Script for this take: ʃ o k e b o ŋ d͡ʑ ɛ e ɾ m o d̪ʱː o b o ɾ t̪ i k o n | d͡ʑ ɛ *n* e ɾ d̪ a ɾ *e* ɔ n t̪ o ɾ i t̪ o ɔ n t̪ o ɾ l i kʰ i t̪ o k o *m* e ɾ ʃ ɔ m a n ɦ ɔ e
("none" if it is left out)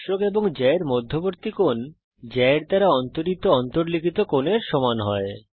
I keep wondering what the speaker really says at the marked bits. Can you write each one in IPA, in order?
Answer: none, a, n

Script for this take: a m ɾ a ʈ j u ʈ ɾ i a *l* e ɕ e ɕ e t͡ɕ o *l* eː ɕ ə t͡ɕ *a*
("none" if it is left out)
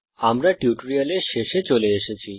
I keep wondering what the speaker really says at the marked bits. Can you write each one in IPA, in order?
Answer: l, l, i

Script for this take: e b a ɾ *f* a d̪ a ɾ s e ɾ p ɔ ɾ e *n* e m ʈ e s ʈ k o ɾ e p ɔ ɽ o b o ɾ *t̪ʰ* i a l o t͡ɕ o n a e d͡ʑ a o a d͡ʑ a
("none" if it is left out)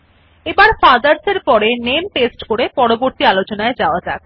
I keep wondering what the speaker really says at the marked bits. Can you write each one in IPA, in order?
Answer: f, n, t̪

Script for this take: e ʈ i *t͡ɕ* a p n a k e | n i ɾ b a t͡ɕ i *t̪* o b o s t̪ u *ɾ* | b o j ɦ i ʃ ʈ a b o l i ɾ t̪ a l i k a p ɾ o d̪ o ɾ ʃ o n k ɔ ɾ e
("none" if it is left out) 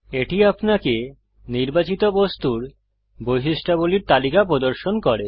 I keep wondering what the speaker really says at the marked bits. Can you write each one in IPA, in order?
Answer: none, t̪, ɾ

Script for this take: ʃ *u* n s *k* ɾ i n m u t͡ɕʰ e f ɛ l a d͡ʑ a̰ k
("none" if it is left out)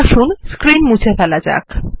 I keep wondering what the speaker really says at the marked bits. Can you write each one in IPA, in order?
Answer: u, k

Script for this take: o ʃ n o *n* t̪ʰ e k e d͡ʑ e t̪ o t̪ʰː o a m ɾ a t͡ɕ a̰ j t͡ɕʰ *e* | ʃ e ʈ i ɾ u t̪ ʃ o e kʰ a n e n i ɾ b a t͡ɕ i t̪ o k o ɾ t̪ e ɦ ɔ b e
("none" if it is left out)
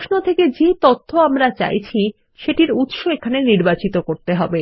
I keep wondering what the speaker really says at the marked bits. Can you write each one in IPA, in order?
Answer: none, i

